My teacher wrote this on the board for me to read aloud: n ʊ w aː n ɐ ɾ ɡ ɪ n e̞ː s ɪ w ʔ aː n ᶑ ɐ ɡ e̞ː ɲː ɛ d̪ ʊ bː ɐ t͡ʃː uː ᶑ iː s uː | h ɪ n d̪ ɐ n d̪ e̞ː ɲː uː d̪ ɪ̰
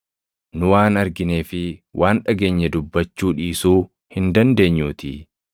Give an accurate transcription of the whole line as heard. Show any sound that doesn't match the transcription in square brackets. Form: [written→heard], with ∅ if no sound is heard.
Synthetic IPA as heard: n ʊ w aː n ɐ ɾ ɡ ɪ n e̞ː [s→f] ɪ w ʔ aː n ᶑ ɐ ɡ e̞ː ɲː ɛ d̪ ʊ bː ɐ t͡ʃː uː ᶑ iː s uː | h ɪ n d̪ ɐ n d̪ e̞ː ɲː uː [d̪→t̪] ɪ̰